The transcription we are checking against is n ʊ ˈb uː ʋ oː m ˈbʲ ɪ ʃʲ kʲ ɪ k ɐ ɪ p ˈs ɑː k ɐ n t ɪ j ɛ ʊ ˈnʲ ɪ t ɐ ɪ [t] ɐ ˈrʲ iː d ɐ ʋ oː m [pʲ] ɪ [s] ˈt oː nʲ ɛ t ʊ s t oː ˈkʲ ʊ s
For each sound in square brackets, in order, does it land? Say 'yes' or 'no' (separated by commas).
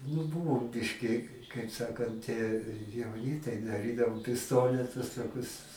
no, yes, yes